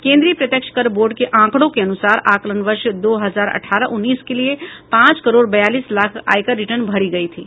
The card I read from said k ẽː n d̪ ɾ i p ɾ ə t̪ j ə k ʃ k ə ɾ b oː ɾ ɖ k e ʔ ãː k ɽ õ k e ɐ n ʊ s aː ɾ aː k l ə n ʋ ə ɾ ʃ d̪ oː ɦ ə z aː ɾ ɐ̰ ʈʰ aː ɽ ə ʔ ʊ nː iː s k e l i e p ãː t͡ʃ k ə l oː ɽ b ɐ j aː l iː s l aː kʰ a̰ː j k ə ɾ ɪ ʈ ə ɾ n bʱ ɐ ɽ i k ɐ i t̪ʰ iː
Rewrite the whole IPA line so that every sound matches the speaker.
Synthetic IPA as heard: k ẽː n d̪ ɾ i p ɾ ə t̪ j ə k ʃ k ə ɾ b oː ɾ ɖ k e ʔ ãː k ɽ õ k e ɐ n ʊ s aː ɾ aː k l ə n ʋ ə ɾ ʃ d̪ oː ɦ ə z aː ɾ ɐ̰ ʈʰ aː ɾ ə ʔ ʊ nː iː s k e l i e p ãː t͡ʃ k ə ɾ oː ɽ b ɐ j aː l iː s l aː kʰ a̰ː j k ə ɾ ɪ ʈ ə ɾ n bʱ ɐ ɽ i ɡ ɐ i t̪ʰ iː